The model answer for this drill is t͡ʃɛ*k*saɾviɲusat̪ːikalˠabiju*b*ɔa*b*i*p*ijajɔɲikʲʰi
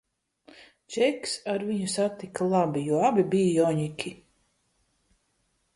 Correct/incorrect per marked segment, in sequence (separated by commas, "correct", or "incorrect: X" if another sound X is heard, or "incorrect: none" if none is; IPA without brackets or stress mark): correct, incorrect: none, correct, incorrect: b